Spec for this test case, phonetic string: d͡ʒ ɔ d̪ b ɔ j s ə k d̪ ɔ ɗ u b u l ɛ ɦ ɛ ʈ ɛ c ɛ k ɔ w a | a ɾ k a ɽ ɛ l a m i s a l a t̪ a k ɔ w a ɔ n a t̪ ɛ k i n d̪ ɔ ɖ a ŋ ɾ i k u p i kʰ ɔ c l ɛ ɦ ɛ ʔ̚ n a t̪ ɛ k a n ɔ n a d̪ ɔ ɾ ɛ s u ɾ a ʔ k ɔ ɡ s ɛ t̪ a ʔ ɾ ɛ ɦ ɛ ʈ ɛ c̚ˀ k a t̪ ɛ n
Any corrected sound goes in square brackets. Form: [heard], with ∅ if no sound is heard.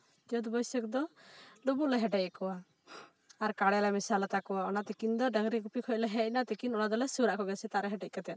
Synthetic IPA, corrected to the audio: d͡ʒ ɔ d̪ b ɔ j s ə k d̪ ɔ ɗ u b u l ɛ ɦ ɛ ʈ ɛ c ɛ k ɔ w a | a ɾ k a ɽ ɛ l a m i s a l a t̪ a k ɔ w a ɔ n a t̪ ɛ k i n d̪ ɔ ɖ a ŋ ɾ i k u p i kʰ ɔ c l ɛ ɦ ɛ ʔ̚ n a t̪ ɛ k [i] n ɔ n a d̪ ɔ [l] ɛ s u ɾ a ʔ k ɔ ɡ s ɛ t̪ a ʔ ɾ ɛ ɦ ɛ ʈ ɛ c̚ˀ k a t̪ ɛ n